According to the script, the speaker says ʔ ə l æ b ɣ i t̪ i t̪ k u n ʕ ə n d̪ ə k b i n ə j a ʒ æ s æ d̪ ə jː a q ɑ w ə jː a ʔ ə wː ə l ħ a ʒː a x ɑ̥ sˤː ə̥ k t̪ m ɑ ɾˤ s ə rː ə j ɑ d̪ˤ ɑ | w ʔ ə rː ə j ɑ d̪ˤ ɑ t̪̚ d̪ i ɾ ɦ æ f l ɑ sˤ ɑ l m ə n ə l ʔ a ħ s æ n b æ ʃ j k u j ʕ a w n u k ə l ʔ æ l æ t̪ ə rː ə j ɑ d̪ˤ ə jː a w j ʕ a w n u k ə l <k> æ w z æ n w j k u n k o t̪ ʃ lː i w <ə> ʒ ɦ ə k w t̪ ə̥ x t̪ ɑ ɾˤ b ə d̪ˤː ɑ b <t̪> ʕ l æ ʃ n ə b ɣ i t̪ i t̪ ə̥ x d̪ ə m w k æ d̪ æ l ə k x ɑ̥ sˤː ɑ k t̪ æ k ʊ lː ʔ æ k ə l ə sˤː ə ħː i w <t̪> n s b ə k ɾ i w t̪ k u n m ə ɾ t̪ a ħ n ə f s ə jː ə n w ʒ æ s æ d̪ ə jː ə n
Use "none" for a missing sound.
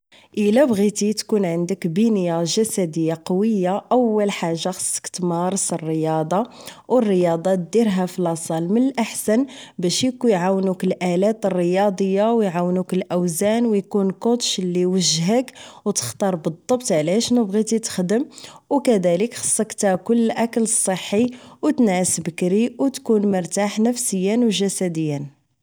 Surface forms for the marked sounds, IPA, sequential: ʔ, ə, t̪, t̪

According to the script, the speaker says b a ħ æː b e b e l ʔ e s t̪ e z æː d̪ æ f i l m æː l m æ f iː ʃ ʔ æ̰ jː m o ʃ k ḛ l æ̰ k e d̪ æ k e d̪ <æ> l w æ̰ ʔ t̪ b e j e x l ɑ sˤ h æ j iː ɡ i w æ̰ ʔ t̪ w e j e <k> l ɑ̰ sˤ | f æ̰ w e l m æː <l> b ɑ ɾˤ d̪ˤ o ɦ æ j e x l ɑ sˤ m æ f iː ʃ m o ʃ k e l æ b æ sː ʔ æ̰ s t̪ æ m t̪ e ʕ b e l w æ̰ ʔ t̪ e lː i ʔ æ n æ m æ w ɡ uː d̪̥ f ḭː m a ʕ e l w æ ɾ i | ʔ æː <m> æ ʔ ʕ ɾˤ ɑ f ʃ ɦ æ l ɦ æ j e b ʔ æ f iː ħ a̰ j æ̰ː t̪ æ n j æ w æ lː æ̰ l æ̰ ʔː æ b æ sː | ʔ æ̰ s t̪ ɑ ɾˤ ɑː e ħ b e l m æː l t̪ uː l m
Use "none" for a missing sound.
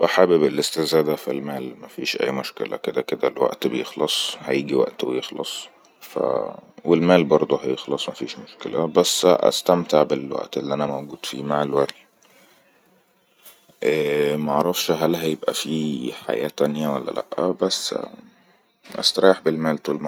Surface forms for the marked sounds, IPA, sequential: æ, x, l, m

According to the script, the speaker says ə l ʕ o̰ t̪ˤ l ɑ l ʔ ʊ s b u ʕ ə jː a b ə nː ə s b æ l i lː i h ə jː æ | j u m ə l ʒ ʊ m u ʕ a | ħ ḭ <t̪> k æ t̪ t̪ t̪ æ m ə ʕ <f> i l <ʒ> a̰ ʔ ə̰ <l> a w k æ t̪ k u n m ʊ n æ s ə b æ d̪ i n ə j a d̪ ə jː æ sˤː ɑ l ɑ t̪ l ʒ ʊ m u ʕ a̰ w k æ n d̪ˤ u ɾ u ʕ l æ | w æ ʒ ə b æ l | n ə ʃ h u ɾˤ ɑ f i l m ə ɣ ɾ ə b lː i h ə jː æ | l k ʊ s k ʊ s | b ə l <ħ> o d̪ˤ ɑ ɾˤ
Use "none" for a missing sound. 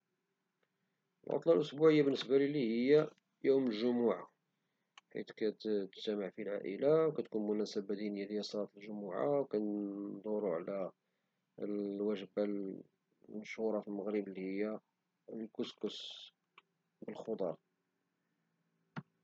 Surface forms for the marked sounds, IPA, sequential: t̪, f, ʕ, l, x

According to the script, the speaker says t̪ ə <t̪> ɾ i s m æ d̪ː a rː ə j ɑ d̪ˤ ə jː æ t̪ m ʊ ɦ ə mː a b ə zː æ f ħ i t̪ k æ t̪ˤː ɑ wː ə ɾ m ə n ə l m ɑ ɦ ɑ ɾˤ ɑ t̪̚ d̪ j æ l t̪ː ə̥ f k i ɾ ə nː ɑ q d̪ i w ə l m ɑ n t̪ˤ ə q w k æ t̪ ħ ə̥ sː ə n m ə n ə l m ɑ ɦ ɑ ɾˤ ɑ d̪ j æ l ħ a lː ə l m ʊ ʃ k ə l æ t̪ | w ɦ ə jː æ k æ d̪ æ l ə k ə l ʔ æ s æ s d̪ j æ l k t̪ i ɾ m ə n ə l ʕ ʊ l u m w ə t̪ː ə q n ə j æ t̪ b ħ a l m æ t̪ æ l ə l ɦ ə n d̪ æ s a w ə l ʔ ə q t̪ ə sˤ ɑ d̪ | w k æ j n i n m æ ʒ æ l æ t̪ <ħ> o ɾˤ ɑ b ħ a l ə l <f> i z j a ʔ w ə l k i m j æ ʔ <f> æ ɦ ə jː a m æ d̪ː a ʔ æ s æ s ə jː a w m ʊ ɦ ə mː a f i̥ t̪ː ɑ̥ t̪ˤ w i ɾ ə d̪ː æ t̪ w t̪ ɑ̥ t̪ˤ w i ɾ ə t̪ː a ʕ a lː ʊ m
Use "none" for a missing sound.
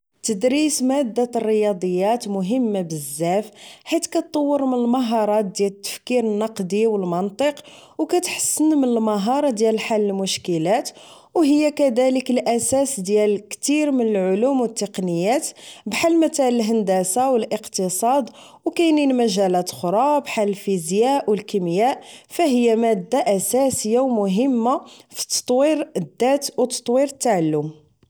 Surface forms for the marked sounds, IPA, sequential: d̪, x, f, f

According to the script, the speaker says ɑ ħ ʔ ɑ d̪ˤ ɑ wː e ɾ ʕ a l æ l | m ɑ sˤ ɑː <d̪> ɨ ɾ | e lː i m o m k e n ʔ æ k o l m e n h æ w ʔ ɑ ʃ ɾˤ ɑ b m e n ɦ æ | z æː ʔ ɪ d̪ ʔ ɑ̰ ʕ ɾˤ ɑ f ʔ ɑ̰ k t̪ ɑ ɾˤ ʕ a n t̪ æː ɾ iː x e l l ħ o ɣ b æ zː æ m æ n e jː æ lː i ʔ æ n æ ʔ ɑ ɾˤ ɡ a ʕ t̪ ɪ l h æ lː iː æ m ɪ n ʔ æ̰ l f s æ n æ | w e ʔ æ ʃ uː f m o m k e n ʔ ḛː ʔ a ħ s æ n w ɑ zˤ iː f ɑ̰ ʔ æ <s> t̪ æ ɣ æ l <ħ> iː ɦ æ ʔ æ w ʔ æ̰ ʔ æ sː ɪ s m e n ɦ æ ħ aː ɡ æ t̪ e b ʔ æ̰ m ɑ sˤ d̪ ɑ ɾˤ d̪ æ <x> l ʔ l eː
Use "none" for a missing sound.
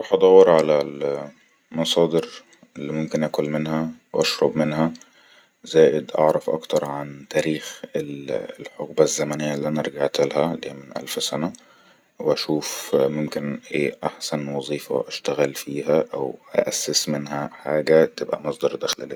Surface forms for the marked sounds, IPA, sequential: d̪, ʃ, f, x

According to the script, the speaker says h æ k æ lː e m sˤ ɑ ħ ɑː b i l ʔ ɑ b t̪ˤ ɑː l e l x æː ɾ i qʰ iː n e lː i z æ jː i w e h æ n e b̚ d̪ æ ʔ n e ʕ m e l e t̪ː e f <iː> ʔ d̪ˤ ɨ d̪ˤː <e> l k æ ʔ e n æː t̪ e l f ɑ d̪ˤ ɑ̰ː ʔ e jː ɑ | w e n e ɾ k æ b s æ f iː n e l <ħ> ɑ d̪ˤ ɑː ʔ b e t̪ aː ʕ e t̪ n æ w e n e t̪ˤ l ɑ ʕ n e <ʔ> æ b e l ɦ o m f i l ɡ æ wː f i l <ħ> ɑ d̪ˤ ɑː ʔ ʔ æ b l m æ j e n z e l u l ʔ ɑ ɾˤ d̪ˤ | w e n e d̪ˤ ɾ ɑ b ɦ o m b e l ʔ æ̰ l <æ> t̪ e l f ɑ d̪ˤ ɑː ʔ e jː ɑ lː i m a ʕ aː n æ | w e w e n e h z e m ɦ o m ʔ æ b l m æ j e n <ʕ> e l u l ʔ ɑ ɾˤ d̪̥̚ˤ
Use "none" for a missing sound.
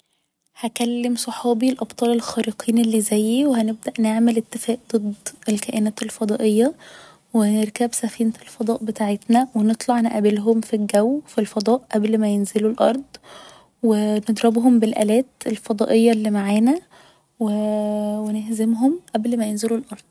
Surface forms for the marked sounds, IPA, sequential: æː, e, f, ʔ, f, æː, z

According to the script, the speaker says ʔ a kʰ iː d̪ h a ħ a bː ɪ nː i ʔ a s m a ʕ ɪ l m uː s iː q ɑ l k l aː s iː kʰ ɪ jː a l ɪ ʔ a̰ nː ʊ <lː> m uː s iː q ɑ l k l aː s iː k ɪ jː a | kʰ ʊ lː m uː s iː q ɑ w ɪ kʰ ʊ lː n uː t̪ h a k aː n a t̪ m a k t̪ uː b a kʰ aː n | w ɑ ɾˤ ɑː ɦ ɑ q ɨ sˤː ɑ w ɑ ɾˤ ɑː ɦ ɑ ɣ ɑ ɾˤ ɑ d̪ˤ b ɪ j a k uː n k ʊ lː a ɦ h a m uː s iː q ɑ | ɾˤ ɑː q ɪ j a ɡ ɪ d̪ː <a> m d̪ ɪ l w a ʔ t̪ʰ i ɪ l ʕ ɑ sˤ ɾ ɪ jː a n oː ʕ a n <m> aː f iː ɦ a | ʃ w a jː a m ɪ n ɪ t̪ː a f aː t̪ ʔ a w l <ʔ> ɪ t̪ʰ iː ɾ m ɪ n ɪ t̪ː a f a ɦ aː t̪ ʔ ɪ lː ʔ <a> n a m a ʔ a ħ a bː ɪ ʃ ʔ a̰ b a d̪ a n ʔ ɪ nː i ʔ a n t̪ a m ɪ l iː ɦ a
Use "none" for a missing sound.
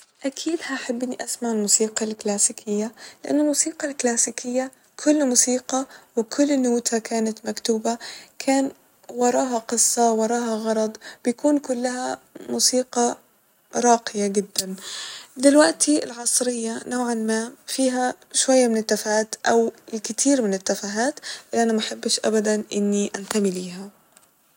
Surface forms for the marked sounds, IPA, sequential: l, a, m, k, a

